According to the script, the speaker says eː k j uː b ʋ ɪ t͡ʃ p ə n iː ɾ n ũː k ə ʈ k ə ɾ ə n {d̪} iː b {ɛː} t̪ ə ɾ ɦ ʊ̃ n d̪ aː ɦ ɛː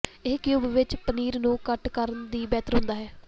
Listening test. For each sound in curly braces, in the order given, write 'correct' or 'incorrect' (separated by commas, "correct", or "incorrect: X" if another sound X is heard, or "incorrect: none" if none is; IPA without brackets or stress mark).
correct, correct